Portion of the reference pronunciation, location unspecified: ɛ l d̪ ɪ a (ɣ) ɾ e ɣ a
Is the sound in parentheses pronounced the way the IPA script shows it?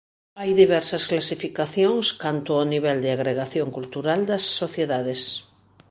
yes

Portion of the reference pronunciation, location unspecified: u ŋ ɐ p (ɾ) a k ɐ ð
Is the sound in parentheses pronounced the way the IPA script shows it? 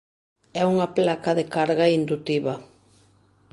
no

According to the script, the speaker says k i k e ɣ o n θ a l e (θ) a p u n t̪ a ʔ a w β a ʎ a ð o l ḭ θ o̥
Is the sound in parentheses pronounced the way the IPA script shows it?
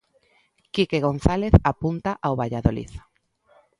yes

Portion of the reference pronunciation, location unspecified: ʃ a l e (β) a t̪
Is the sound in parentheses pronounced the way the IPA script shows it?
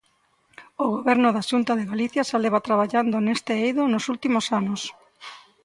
yes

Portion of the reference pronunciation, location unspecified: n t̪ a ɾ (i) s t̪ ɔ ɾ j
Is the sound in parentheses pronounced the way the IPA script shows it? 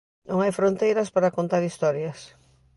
yes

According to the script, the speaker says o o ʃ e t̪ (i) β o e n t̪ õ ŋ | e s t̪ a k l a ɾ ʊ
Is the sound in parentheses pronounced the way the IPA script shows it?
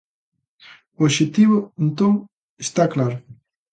yes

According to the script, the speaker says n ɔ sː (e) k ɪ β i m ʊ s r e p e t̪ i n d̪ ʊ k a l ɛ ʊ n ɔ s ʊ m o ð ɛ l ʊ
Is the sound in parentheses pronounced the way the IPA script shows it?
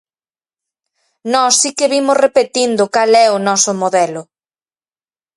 no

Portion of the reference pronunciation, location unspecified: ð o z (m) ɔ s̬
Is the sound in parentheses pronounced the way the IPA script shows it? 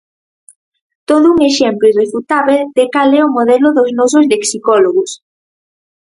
no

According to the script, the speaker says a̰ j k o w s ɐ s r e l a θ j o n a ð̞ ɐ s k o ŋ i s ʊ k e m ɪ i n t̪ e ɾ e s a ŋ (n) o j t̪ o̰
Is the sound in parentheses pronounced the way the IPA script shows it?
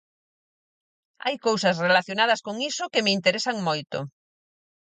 no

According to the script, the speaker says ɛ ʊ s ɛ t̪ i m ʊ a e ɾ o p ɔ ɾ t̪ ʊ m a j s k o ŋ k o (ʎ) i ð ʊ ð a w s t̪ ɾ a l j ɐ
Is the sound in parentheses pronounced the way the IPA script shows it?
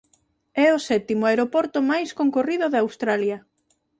no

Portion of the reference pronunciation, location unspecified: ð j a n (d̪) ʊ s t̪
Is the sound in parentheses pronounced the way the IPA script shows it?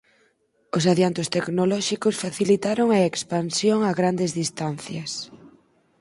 no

